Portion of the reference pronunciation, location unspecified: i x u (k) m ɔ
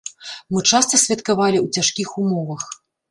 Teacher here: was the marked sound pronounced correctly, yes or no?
no